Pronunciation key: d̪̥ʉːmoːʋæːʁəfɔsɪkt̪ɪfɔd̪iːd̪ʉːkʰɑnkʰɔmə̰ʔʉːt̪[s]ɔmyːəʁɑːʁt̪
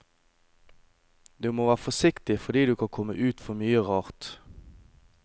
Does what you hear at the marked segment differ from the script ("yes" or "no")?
yes